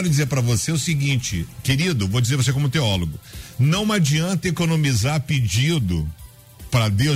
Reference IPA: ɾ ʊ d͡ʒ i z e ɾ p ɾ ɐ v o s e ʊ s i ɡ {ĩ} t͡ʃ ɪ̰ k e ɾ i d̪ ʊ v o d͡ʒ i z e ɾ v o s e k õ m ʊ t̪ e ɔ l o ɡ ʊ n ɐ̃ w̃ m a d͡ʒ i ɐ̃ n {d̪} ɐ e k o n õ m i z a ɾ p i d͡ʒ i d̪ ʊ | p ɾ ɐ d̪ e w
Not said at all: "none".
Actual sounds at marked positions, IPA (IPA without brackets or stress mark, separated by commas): ĩ, t̪